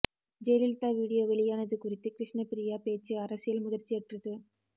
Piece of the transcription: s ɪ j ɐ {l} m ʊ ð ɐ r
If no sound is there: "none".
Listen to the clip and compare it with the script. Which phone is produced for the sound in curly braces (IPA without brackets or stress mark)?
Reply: l